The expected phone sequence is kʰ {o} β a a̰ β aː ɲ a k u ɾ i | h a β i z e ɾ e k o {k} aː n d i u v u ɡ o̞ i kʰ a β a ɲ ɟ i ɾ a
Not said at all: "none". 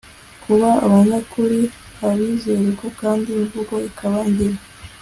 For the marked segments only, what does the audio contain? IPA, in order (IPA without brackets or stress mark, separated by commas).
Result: u, k